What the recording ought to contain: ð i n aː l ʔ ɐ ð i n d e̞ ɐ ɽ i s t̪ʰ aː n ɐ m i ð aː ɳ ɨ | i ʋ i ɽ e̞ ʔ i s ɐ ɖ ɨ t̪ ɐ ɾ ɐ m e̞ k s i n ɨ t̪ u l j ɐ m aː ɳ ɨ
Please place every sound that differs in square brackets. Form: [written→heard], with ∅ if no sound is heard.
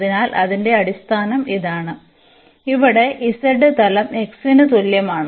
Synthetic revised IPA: ð i n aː l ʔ ɐ ð i n d e̞ ɐ ɽ i s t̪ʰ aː n ɐ m i ð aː ɳ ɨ | i ʋ i ɽ e̞ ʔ i s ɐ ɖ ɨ t̪ ɐ [ɾ→l] ɐ m e̞ k s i n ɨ t̪ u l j ɐ m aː ɳ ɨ